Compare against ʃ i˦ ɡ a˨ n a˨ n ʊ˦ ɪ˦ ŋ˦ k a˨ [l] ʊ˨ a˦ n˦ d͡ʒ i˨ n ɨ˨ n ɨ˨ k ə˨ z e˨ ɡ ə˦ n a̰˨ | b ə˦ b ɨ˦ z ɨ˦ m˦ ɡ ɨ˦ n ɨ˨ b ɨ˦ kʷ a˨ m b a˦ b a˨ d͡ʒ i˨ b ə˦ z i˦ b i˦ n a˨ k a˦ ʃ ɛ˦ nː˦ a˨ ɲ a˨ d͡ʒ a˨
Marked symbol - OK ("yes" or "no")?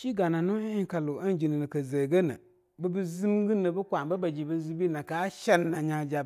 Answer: yes